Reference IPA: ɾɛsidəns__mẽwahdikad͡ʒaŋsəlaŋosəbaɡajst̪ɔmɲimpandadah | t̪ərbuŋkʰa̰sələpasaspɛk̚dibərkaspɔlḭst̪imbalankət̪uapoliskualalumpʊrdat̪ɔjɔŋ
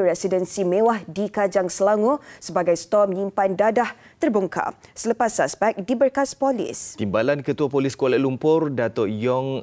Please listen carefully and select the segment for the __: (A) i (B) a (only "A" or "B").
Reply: A